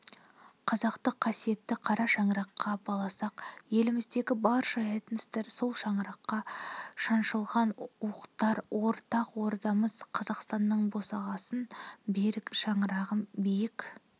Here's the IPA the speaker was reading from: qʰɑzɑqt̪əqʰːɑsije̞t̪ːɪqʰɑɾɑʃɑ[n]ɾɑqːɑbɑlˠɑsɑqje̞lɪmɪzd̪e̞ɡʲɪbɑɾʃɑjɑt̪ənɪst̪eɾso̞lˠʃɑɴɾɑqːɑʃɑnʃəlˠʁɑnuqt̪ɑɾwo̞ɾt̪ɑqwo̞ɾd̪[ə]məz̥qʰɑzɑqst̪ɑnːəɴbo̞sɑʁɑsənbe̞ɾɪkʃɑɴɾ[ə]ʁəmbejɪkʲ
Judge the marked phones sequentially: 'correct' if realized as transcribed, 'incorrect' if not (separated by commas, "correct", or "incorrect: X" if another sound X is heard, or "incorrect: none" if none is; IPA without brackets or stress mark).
incorrect: ɴ, incorrect: ɑ, incorrect: ɑ